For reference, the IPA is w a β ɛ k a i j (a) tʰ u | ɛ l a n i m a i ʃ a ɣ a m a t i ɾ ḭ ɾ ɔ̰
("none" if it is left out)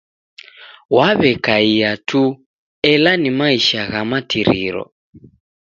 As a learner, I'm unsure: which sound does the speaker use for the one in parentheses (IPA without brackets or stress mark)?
a